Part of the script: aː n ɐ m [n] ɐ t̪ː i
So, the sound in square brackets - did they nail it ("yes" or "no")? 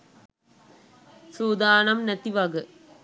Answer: yes